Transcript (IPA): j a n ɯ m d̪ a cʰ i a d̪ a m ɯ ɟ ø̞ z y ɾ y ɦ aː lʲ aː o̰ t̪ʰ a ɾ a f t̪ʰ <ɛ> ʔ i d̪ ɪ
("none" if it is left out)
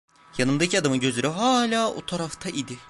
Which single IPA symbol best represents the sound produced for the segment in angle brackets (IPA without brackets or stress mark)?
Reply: a